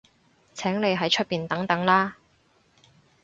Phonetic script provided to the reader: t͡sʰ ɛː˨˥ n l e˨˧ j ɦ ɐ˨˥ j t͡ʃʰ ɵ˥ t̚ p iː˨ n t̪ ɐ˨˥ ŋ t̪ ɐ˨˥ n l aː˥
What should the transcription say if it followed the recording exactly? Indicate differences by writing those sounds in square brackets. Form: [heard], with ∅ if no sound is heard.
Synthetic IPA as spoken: t͡sʰ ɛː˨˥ [ŋ] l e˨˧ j ɦ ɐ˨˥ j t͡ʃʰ ɵ˥ t̚ p iː˨ n t̪ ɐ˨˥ ŋ t̪ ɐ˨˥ [ŋ] l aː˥